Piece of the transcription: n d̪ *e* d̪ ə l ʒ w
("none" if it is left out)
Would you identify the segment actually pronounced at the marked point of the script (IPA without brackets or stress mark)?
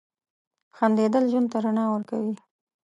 e